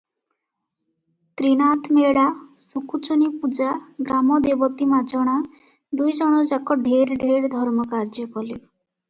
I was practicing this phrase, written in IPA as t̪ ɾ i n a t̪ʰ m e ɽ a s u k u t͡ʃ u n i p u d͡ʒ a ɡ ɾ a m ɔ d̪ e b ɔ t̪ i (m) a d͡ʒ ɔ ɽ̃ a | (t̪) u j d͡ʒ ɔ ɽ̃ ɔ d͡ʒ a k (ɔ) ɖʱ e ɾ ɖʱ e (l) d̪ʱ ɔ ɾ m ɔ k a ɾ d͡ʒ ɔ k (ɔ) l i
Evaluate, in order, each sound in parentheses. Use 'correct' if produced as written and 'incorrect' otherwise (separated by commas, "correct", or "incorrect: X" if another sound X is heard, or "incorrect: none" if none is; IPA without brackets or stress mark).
correct, incorrect: d̪, correct, incorrect: ɾ, correct